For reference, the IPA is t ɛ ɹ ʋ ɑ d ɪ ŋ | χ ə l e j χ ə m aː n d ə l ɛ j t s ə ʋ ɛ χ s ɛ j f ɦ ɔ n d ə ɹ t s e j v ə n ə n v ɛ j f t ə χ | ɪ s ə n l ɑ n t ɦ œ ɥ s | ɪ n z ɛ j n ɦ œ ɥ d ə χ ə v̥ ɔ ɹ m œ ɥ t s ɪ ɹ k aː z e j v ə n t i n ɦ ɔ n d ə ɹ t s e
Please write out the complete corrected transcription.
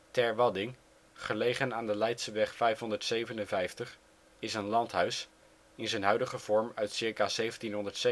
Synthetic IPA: t ɛ ɹ ʋ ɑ d ɪ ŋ | χ ə l e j χ ə n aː n d ə l ɛ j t s ə ʋ ɛ χ f ɛ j f ɦ ɔ n d ə ɹ t s e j v ə n ə n v ɛ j f t ə χ | ɪ s ə n l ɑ n t ɦ œ ɥ s | ɪ n z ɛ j n ɦ œ ɥ d ə χ ə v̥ ɔ ɹ m œ ɥ t s ɪ ɹ k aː z e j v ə n t i n ɦ ɔ n d ə ɹ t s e